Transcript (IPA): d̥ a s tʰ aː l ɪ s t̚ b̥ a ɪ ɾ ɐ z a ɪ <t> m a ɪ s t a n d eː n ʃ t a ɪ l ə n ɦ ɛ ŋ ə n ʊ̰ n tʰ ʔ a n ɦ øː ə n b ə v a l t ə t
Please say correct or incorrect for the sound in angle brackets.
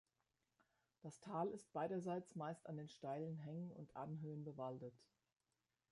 incorrect